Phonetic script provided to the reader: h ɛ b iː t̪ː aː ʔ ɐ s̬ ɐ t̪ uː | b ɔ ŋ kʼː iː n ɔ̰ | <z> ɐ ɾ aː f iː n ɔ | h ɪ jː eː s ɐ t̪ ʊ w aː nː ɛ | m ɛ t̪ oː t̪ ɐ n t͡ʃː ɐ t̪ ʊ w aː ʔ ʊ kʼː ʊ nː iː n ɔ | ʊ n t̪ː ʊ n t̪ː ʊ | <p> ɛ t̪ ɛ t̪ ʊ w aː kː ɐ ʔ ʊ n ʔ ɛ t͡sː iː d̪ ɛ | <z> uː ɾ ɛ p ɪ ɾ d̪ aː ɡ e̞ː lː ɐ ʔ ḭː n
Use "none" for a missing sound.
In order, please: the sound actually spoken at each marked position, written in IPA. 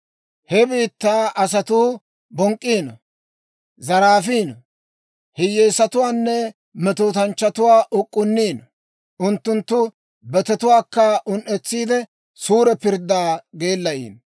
z, b, s

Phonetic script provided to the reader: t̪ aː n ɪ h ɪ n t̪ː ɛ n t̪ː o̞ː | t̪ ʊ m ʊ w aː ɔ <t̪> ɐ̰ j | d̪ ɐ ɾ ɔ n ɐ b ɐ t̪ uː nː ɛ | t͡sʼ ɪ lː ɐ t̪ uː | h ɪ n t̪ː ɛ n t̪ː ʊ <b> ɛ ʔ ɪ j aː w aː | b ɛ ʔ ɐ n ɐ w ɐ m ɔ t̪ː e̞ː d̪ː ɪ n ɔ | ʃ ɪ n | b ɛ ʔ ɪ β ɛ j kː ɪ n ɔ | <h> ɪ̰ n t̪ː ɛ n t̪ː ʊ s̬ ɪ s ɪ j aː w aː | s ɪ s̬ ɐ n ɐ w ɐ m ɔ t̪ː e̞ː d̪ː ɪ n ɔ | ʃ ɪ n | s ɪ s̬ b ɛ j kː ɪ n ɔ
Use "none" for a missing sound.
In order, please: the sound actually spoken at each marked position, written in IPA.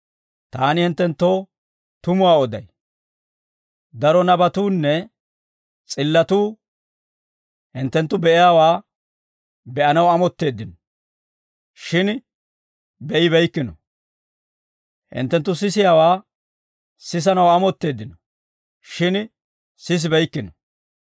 d̪, b, h

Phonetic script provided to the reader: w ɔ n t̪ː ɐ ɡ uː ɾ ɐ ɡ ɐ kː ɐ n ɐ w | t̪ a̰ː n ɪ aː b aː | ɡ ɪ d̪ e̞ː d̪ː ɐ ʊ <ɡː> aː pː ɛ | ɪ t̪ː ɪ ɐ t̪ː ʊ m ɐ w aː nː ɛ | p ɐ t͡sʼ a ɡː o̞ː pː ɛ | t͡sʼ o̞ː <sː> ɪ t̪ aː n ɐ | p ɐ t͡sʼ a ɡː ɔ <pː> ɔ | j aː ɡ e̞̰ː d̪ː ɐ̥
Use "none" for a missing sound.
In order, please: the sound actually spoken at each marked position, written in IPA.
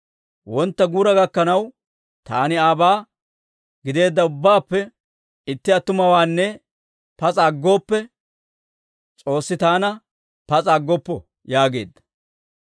bː, sː, pː

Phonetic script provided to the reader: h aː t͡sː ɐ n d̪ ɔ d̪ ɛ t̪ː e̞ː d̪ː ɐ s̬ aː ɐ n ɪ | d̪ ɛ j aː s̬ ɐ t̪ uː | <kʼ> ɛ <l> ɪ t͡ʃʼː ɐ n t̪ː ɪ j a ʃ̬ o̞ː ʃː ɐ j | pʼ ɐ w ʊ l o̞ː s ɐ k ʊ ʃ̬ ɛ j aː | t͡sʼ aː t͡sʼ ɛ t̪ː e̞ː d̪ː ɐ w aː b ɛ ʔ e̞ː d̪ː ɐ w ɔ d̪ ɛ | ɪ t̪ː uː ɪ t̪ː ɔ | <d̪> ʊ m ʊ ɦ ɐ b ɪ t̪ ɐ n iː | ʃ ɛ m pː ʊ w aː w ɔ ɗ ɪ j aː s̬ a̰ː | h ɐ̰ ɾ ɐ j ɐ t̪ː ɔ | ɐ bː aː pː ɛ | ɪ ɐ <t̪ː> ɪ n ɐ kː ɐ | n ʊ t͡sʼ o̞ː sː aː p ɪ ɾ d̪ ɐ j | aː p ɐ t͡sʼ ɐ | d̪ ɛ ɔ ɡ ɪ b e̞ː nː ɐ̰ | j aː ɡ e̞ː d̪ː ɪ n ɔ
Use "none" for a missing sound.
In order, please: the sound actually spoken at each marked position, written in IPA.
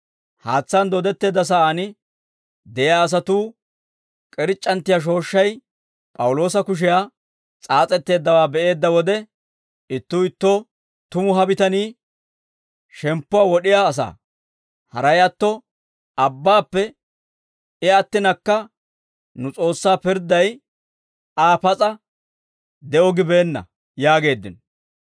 kʼ, ɾ, t̪, t̪ː

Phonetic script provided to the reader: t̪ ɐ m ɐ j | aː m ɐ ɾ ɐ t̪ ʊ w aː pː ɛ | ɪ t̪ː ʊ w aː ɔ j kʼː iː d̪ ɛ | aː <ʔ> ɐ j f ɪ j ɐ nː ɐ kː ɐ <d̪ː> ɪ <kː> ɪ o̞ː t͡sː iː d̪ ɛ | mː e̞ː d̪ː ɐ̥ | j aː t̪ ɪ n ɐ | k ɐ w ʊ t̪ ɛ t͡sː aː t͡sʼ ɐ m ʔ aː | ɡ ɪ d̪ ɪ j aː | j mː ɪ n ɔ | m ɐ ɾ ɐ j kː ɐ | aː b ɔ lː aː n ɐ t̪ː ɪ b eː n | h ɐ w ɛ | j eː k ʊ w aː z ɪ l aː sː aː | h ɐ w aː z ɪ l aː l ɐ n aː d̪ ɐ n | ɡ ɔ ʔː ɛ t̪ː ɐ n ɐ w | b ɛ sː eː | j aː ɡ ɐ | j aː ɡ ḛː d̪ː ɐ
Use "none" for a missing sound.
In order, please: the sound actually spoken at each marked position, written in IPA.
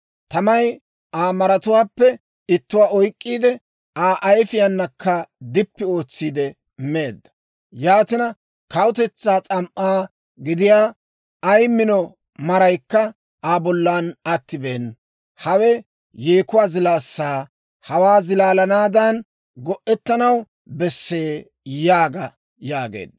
ʔ, d̪, pː

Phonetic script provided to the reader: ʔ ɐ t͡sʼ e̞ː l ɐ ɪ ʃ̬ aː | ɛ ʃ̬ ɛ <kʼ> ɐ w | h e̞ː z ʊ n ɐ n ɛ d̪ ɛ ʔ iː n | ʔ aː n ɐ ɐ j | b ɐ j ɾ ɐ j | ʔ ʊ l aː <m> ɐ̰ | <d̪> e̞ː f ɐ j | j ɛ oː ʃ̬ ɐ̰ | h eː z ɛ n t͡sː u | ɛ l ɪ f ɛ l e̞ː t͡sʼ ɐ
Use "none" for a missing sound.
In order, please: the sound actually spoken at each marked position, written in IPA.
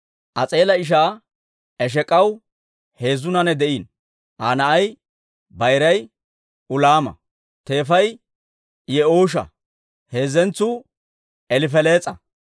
kʼ, m, t̪

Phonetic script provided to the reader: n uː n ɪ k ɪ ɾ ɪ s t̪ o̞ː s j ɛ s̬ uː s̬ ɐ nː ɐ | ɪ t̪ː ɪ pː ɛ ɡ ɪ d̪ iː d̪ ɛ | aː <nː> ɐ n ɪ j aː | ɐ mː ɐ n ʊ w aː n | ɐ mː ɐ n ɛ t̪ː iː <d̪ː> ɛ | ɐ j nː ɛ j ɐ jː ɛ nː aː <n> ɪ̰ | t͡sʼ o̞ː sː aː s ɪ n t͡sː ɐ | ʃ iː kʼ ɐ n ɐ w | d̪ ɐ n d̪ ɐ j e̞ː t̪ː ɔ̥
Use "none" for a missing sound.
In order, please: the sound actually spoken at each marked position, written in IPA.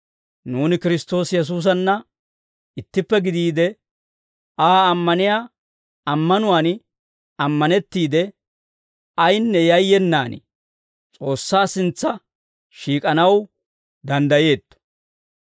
mː, d̪, n

